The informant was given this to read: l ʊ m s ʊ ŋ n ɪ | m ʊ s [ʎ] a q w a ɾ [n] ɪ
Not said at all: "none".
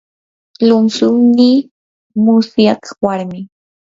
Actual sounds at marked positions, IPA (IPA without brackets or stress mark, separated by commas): j, m